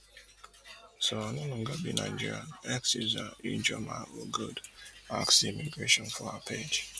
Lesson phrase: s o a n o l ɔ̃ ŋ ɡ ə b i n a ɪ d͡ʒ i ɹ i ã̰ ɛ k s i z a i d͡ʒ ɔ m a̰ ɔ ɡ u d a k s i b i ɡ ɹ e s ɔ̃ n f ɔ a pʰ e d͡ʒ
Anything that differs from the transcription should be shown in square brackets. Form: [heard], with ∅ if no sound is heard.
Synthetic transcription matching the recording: s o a n o l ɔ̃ ŋ ɡ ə b i n a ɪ d͡ʒ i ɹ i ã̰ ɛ k s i z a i d͡ʒ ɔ m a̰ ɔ ɡ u d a k s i [m] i ɡ ɹ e [ʃ] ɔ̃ n f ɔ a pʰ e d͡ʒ